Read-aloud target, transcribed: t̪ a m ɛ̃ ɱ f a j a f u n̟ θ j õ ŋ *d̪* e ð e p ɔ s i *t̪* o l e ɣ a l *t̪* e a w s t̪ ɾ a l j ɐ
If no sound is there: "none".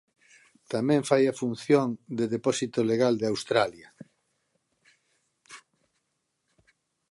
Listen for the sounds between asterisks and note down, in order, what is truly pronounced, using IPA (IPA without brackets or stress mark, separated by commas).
d̪, t̪, d̪